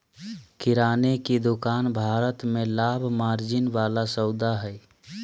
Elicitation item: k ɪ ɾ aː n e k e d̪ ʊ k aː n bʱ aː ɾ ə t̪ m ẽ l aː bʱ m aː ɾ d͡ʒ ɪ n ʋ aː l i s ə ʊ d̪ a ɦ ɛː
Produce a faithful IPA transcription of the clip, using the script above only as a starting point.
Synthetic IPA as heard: k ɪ ɾ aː n e k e d̪ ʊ k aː n bʱ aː ɾ ə t̪ m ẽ l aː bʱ m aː ɾ d͡ʒ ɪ n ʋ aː l a s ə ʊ d̪ a ɦ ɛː

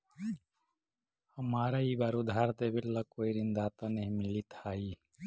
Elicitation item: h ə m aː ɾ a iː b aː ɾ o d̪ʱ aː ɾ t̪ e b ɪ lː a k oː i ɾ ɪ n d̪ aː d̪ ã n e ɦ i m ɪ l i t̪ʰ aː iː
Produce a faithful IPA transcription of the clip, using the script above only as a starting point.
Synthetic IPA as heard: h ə m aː ɾ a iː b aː ɾ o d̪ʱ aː ɾ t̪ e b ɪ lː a k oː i ɾ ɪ n d̪ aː t̪ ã n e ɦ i m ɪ l i t̪ʰ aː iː

